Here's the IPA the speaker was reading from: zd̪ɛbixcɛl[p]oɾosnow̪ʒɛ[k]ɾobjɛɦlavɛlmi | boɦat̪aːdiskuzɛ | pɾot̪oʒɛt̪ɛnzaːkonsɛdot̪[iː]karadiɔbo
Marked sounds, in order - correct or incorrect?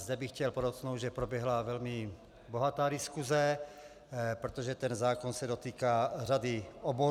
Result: correct, incorrect, correct

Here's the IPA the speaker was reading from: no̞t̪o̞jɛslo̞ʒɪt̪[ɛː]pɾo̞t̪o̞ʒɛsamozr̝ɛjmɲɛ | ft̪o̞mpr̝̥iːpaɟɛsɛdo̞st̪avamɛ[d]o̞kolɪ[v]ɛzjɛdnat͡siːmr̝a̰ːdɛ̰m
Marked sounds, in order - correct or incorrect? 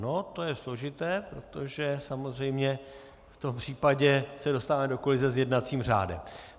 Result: correct, correct, incorrect

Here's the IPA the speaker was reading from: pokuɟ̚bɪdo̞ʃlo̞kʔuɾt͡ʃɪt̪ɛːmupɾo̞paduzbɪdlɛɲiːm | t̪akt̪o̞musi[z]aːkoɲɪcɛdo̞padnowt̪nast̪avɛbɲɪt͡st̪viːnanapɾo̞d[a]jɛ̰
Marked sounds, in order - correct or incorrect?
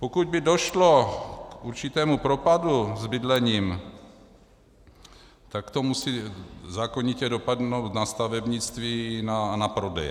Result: correct, incorrect

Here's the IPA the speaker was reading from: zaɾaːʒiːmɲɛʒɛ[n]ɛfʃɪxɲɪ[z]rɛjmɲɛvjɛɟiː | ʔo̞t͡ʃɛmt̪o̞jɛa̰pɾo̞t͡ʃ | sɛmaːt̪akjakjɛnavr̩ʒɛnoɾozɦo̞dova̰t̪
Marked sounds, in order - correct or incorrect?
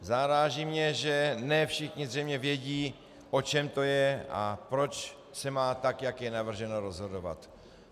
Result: correct, correct

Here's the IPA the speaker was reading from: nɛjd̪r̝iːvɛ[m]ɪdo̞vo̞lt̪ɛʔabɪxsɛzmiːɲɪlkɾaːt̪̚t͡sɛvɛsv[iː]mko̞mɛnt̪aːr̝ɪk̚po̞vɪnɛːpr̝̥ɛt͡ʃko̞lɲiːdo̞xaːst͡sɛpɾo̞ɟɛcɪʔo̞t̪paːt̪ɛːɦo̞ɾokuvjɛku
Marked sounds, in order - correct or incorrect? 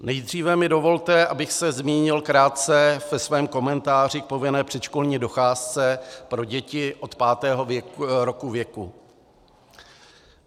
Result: correct, incorrect

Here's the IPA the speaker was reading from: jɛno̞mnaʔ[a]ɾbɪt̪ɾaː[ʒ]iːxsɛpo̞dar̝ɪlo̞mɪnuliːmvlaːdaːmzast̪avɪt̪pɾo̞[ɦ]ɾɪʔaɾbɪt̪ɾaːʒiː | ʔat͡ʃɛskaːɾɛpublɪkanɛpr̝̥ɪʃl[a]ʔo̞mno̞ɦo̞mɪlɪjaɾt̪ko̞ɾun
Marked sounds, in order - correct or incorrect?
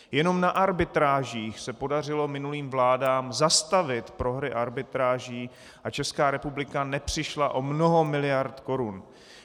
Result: correct, correct, correct, correct

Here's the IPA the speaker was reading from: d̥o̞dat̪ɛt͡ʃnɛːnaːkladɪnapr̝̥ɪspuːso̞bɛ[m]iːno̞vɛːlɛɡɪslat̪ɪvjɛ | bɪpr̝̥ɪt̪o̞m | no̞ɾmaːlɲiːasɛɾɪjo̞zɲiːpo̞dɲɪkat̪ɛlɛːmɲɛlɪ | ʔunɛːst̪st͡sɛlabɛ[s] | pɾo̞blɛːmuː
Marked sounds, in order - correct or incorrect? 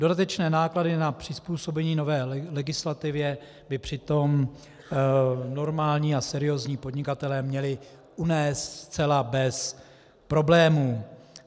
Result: incorrect, correct

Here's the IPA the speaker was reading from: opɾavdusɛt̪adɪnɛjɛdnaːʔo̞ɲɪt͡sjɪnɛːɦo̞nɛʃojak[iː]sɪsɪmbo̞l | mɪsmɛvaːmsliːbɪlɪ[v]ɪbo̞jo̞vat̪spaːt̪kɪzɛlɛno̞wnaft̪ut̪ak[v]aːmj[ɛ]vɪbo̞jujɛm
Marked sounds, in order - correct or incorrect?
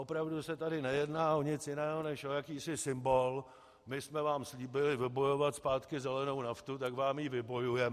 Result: correct, correct, correct, incorrect

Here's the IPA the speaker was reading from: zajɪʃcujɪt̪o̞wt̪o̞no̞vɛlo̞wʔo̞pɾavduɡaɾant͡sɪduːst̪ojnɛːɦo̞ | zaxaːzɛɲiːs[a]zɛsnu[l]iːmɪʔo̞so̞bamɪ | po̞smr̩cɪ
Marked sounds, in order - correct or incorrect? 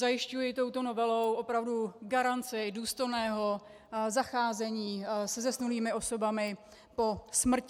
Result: incorrect, correct

